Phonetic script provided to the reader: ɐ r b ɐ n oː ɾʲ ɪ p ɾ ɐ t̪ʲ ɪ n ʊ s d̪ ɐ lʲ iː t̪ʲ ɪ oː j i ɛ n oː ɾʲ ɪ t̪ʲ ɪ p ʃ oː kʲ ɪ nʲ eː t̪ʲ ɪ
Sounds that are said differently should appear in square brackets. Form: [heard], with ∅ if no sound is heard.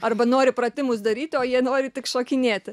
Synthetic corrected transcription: ɐ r b ɐ n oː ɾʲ ɪ p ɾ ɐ t̪ʲ ɪ [m] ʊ s d̪ ɐ [ɾʲ] iː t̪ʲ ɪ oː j i ɛ n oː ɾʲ ɪ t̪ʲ ɪ [k] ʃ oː kʲ ɪ nʲ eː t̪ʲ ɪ